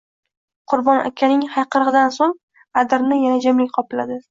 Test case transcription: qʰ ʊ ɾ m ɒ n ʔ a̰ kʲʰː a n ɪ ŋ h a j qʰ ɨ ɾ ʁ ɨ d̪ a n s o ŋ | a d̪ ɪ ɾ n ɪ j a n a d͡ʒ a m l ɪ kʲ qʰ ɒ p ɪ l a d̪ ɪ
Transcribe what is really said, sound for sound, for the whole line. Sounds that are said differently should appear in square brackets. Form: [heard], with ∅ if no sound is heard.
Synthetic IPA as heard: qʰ ʊ ɾ [b] ɒ n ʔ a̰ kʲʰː a n ɪ ŋ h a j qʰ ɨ ɾ ʁ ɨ d̪ a n s o ŋ | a d̪ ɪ ɾ n ɪ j a n a d͡ʒ a m l ɪ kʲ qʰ ɒ p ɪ l a d̪ ɪ